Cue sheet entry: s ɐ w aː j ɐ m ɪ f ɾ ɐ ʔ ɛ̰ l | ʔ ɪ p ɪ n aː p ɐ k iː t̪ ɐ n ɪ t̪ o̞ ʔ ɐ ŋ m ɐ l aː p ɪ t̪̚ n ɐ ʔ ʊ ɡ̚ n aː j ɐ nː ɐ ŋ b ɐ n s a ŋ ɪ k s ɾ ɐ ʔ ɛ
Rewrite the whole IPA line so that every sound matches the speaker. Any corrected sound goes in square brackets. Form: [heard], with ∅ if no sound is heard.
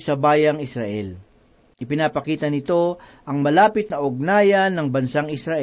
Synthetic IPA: s ɐ [b] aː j ɐ [ŋ] ɪ [s] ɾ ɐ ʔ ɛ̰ l | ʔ ɪ p ɪ n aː p ɐ k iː t̪ ɐ n ɪ t̪ o̞ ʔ ɐ ŋ m ɐ l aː p ɪ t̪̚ n ɐ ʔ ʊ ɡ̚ n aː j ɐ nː ɐ ŋ b ɐ n s a ŋ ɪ [∅] s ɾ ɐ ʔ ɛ